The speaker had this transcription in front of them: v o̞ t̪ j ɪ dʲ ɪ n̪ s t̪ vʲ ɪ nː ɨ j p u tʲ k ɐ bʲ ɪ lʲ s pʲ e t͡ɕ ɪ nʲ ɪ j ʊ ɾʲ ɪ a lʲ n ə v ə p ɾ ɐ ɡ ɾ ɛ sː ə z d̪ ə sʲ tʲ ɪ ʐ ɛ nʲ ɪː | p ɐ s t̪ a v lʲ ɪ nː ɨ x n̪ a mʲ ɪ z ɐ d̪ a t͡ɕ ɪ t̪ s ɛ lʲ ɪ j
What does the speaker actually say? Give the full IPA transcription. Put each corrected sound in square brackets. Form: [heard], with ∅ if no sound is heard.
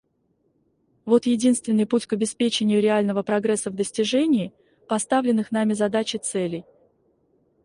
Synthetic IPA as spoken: v o̞ t̪ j ɪ dʲ [i] n̪ s t̪ vʲ ɪ nː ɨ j p u tʲ k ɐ bʲ ɪ [∅] s pʲ e t͡ɕ ɪ nʲ ɪ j ʊ ɾʲ ɪ a lʲ n ə v ə p ɾ ɐ ɡ ɾ ɛ sː ə [v] d̪ ə sʲ tʲ ɪ ʐ ɛ nʲ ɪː | p ɐ s t̪ a v lʲ ɪ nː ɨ x n̪ a mʲ ɪ z ɐ d̪ a t͡ɕ ɪ t̪ s ɛ lʲ ɪ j

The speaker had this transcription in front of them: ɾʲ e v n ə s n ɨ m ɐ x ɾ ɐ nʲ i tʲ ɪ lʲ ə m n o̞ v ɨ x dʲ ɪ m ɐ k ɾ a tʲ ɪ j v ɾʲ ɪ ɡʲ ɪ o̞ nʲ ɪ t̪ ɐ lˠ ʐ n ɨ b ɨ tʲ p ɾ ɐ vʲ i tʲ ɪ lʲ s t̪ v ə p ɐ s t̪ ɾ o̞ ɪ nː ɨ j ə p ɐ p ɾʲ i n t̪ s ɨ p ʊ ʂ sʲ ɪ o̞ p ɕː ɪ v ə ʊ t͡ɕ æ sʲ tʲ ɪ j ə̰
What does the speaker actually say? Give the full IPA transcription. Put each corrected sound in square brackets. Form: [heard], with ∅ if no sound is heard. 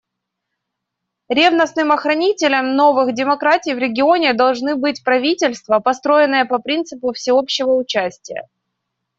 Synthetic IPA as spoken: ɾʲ e v n ə s n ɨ m ɐ x ɾ ɐ nʲ i tʲ ɪ lʲ ə m n o̞ v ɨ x dʲ ɪ m ɐ k ɾ a tʲ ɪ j v ɾʲ ɪ ɡʲ ɪ o̞ nʲ ɪ [d̪] ɐ lˠ ʐ n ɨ b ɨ tʲ p ɾ ɐ vʲ i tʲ ɪ lʲ s t̪ v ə p ɐ s t̪ ɾ o̞ ɪ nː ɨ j ə p ɐ p ɾʲ i n t̪ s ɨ p ʊ [f] sʲ ɪ o̞ p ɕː ɪ v ə ʊ t͡ɕ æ sʲ tʲ ɪ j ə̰

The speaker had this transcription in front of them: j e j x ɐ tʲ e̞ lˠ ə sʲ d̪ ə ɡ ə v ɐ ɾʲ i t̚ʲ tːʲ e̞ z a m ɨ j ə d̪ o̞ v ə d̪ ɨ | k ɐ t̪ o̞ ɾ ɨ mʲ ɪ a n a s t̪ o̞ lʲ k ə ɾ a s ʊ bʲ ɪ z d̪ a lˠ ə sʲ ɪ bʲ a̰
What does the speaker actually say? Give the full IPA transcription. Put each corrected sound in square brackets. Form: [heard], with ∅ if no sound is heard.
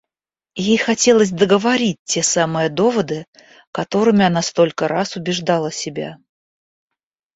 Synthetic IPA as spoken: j e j x ɐ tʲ e̞ lˠ ə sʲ d̪ ə ɡ ə v ɐ ɾʲ i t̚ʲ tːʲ e̞ [s] a m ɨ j ə d̪ o̞ v ə d̪ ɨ | k ɐ t̪ o̞ ɾ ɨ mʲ ɪ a n a s t̪ o̞ lʲ k ə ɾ a s ʊ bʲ ɪ [ʐ] d̪ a lˠ ə sʲ ɪ bʲ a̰

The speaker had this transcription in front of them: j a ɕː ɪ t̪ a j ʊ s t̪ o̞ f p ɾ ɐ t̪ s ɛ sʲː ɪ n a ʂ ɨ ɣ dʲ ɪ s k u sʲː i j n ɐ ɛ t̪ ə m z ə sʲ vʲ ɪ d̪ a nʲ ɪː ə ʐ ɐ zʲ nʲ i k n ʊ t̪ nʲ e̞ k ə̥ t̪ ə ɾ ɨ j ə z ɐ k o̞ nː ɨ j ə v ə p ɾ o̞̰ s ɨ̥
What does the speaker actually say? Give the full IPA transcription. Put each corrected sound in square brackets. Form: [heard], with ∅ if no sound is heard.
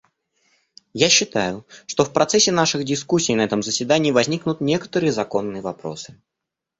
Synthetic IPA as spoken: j a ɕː ɪ t̪ a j ʊ [ʂ] t̪ o̞ f p ɾ ɐ t̪ s ɛ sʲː ɪ n a ʂ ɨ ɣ dʲ ɪ s k u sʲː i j n ɐ ɛ t̪ ə m z ə sʲ vʲ ɪ d̪ a nʲ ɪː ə [v] ɐ zʲ nʲ i k n ʊ t̪ nʲ e̞ k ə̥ t̪ ə ɾ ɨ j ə z ɐ k o̞ nː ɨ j ə v [ɐ] p ɾ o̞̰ s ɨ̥

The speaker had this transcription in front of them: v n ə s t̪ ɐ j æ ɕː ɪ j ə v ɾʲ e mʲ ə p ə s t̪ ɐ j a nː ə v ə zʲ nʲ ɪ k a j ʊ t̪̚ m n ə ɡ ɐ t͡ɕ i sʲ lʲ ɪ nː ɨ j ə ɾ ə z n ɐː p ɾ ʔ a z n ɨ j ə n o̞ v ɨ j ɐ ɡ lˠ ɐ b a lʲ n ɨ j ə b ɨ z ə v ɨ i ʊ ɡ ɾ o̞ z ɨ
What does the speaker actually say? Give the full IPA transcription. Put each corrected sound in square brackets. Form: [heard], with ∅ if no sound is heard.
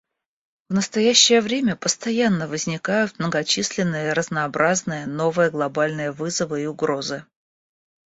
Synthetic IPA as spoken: v n ə s t̪ ɐ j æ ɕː ɪ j ə v ɾʲ e mʲ ə p ə s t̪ ɐ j a nː ə v ə zʲ nʲ ɪ k a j ʊ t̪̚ m n ə ɡ ɐ t͡ɕ i sʲ lʲ ɪ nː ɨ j ə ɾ ə z n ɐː [b] ɾ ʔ a z n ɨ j ə n o̞ v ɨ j [ə] ɡ lˠ ɐ b a lʲ n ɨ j ə [v] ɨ z ə v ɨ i ʊ ɡ ɾ o̞ z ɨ

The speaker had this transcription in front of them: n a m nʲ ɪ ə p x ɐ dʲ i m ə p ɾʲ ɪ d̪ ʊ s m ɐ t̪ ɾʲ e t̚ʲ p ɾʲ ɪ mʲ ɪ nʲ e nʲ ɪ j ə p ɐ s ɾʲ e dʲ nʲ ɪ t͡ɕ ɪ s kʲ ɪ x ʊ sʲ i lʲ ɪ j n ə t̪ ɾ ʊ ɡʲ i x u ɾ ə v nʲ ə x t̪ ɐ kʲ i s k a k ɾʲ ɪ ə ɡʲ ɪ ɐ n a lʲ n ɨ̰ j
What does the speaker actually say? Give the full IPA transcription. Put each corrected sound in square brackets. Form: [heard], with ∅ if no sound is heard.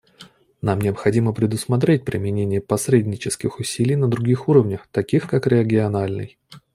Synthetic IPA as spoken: n a m nʲ ɪ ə p x ɐ dʲ i m ə p ɾʲ ɪ d̪ ʊ s m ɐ t̪ ɾʲ e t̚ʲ p ɾʲ ɪ mʲ ɪ nʲ e nʲ ɪ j ə p ɐ s ɾʲ e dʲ nʲ ɪ t͡ɕ ɪ s kʲ ɪ x ʊ sʲ i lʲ ɪ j n ə [d̪] ɾ ʊ ɡʲ i x u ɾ ə v nʲ ə x t̪ ɐ kʲ i [x] k a k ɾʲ ɪ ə ɡʲ ɪ ɐ n a lʲ n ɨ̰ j

